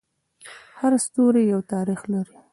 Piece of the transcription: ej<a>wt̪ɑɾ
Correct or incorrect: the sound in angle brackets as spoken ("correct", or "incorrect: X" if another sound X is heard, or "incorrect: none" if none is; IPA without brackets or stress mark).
correct